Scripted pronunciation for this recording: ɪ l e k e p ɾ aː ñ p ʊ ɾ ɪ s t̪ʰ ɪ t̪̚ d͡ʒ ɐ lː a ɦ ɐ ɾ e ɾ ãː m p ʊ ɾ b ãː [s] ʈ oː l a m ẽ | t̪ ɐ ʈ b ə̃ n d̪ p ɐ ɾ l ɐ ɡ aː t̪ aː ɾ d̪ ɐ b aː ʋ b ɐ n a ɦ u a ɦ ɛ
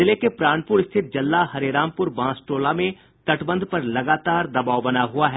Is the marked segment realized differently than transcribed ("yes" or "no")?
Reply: no